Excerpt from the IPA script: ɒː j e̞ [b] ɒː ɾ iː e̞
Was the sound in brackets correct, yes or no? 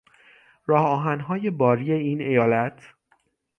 yes